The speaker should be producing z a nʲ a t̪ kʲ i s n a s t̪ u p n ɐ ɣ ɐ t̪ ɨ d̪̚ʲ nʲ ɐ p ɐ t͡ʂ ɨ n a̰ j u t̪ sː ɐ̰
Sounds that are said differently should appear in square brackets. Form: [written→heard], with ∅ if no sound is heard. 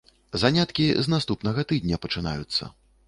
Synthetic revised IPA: z a nʲ a t̪ kʲ i [s→z] n a s t̪ u p n ɐ ɣ ɐ t̪ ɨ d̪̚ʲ nʲ ɐ p ɐ t͡ʂ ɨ n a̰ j u t̪ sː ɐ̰